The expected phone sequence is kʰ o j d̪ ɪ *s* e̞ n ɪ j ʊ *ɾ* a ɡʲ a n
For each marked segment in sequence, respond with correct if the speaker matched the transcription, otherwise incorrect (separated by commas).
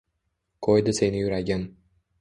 correct, correct